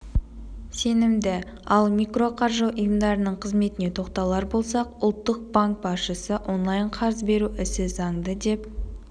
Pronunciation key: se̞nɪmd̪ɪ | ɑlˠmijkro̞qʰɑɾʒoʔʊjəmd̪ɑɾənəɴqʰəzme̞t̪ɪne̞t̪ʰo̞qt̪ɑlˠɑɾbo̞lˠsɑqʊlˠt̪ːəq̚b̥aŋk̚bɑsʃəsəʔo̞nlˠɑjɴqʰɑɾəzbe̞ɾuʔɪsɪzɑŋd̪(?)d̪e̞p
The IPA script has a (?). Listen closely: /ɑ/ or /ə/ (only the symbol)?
ə